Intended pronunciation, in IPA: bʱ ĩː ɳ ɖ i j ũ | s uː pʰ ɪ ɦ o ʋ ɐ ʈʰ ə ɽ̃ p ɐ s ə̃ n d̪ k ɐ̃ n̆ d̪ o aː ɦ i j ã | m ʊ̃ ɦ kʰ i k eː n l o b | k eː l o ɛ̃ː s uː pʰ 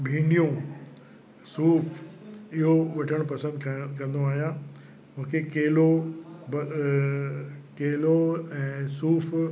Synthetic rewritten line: bʱ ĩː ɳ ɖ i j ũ | s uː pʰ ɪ ɦ o ʋ ɐ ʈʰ ə ɽ̃ p ɐ s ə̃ n d̪ k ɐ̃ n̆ d̪ o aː ɦ i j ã | m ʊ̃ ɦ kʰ e k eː l o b | k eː l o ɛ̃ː s uː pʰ

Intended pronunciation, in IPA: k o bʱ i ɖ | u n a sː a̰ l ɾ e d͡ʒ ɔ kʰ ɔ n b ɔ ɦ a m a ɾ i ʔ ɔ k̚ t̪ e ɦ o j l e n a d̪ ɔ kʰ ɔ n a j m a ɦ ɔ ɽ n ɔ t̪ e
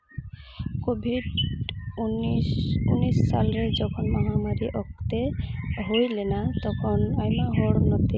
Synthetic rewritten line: k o bʱ i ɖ | u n i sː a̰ l ɾ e d͡ʒ ɔ kʰ ɔ n m ɔ ɦ a m a ɾ i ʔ ɔ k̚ t̪ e ɦ o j l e n a t̪ ɔ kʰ ɔ n a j m a ɦ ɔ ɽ n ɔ t̪ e

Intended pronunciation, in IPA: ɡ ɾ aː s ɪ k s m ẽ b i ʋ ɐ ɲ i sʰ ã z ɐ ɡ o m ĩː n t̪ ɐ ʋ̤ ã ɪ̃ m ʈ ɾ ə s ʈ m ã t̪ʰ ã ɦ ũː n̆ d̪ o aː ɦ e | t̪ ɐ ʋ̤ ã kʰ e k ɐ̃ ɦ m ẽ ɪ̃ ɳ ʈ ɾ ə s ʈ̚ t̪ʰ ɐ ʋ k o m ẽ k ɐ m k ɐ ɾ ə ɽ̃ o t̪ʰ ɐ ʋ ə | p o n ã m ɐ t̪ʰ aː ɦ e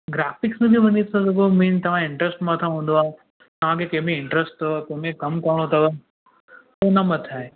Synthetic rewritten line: ɡ ɾ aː f ɪ k s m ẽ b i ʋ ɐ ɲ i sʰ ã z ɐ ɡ o m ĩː n t̪ ɐ ʋ̤ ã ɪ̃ ɳ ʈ ɾ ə s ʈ m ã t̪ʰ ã ɦ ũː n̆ d̪ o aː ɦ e | t̪ ɐ ʋ̤ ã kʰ e k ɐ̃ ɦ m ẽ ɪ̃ ɳ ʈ ɾ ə s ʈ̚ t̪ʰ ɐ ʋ k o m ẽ k ɐ m k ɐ ɾ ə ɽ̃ o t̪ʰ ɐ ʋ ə | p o n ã m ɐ t̪ʰ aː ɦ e

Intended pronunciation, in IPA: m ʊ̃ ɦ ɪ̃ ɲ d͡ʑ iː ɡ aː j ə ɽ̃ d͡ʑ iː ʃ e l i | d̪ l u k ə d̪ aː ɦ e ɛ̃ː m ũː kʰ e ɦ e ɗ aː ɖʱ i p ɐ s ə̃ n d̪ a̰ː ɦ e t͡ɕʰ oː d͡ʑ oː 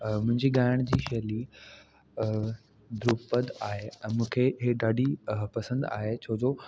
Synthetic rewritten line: m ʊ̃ ɦ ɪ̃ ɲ d͡ʑ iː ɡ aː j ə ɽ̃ d͡ʑ iː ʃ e l i | d̪ ɾ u p ə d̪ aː ɦ e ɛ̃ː m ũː kʰ e ɦ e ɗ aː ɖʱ i p ɐ s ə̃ n d̪ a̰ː ɦ e t͡ɕʰ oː d͡ʑ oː

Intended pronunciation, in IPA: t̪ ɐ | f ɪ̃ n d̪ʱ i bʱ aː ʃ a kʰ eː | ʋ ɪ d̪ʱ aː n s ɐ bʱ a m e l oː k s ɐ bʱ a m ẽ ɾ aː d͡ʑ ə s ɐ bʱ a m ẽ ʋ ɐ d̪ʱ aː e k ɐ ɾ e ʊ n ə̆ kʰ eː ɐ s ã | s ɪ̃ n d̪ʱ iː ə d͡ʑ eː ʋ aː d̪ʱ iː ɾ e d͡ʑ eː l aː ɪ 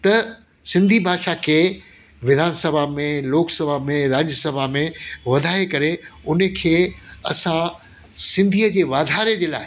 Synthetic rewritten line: t̪ ɐ | s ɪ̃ n d̪ʱ i bʱ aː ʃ a kʰ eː | ʋ ɪ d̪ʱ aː n s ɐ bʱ a m ẽ l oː k s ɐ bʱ a m ẽ ɾ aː d͡ʑ ə s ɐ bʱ a m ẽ ʋ ɐ d̪ʱ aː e k ɐ ɾ e ʊ n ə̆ kʰ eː ɐ s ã | s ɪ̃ n d̪ʱ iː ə d͡ʑ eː ʋ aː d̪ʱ aː ɾ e d͡ʑ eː l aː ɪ

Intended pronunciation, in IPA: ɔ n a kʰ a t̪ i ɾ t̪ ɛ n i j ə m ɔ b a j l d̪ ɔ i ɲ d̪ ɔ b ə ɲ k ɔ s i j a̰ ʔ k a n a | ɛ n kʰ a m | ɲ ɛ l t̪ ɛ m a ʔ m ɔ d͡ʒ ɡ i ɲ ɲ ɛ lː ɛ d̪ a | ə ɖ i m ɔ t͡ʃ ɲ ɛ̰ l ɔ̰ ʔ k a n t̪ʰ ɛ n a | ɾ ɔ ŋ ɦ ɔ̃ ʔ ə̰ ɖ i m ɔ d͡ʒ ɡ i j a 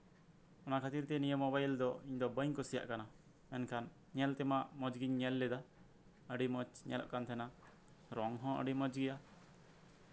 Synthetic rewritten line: ɔ n a kʰ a t̪ i ɾ t̪ ɛ n i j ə m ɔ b a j l d̪ ɔ i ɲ d̪ ɔ b ə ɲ k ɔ s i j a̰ ʔ k a n a | ɛ n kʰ a n | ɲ ɛ l t̪ ɛ m a ʔ m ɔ d͡ʒ ɡ i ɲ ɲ ɛ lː ɛ d̪ a | ə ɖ i m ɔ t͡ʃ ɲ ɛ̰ l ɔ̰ ʔ k a n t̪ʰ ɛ n a | ɾ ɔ ŋ ɦ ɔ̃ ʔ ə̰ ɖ i m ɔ d͡ʒ ɡ i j a

